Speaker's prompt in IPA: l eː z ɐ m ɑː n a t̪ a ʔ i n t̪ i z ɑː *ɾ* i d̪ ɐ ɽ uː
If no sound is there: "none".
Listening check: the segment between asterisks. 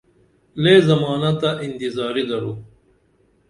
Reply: ɾ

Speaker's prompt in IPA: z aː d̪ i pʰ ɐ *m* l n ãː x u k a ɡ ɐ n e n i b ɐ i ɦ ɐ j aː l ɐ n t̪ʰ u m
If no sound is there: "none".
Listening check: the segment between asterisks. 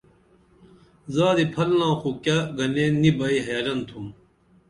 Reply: none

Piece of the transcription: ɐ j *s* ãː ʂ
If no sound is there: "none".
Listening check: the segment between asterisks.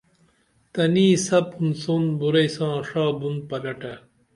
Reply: s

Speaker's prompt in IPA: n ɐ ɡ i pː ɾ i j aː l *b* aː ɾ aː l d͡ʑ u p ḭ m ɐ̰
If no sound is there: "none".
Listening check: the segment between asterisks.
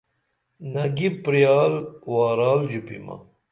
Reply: w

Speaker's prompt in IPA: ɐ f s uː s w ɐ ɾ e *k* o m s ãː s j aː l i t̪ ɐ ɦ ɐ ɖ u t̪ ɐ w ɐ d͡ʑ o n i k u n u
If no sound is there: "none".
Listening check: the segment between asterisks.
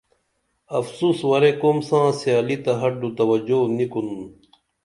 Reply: k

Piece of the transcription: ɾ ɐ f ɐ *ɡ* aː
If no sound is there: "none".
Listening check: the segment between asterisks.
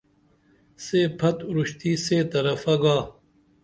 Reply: ɡ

